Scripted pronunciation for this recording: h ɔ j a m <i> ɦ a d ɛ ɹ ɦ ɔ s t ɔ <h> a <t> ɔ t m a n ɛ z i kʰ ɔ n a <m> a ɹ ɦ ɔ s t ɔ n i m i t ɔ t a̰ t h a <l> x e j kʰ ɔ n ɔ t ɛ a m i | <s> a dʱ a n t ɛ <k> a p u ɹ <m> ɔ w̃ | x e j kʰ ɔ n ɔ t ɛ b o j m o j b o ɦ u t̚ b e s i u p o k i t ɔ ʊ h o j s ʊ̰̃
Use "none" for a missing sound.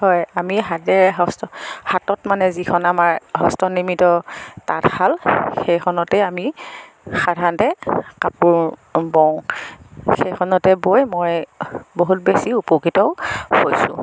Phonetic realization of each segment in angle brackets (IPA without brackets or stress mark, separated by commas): i, h, t, m, l, x, k, b